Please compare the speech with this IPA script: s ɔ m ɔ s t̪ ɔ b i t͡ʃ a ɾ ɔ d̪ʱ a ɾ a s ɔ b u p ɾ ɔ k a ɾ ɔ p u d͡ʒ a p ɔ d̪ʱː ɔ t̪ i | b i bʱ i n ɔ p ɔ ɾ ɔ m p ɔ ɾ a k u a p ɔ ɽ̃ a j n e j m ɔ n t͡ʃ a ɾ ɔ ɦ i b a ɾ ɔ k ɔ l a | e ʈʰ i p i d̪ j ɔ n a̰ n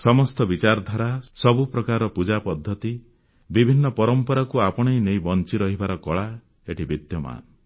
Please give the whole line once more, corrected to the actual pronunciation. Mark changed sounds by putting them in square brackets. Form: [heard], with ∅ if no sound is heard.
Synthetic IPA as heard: s ɔ m ɔ s t̪ ɔ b i t͡ʃ a ɾ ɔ d̪ʱ a ɾ a s ɔ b u p ɾ ɔ k a ɾ ɔ p u d͡ʒ a p ɔ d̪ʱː ɔ t̪ i | b i bʱ i [nː] ɔ p ɔ ɾ ɔ m p ɔ ɾ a k u a p ɔ ɽ̃ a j n e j [b] ɔ n t͡ʃ [i] ɾ ɔ ɦ i b a ɾ ɔ k ɔ [ɭ] a | e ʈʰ i [b] i d̪ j ɔ [m] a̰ n

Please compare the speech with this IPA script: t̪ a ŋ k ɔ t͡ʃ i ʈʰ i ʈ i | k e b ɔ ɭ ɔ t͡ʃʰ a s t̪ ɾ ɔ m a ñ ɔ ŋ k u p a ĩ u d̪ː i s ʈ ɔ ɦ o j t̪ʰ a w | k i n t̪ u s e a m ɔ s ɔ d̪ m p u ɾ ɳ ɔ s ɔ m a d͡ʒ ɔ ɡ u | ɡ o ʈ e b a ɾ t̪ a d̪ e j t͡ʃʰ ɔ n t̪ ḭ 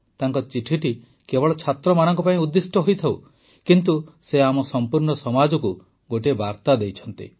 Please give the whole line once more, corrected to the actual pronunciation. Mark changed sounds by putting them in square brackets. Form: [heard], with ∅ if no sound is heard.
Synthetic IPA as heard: t̪ a ŋ k ɔ t͡ʃ i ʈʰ i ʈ i | k e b ɔ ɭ ɔ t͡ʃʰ a [∅] t̪ ɾ ɔ m a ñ ɔ ŋ k [ɔ] p a ĩ u d̪ː i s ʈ ɔ ɦ o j t̪ʰ a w | k i n t̪ u s e a m ɔ s ɔ [∅] m p u ɾ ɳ ɔ s ɔ m a d͡ʒ ɔ [k] u | ɡ o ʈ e b a ɾ t̪ a d̪ e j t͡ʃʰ ɔ n t̪ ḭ

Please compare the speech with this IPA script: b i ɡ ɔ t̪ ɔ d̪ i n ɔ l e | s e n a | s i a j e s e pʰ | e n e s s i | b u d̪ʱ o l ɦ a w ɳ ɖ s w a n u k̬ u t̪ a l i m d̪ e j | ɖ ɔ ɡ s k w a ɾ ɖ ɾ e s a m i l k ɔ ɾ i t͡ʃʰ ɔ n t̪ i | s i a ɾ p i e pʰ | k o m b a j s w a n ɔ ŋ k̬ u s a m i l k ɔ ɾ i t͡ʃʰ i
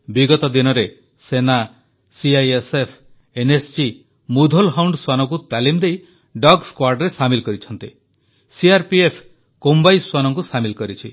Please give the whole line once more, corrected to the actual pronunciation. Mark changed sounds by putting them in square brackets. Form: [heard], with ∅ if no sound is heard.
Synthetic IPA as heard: b i ɡ ɔ t̪ ɔ d̪ i n ɔ [ɾ] e | s e n a | s i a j e s e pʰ | e n e s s i | [m] u d̪ʱ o l ɦ a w ɳ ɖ s w a n [ɔ] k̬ u t̪ a l i m d̪ e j | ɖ ɔ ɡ s k w a ɾ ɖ ɾ e s a m i l k ɔ ɾ i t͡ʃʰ ɔ n t̪ i | s i a ɾ p i e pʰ | k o m b a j s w a n ɔ ŋ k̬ u s a m i l k ɔ ɾ i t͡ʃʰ i

